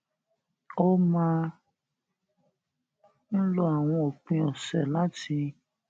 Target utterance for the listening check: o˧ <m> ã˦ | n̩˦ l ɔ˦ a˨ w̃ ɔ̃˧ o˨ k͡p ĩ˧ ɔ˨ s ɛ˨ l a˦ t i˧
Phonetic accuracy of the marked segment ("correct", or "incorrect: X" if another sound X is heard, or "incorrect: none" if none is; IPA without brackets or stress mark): correct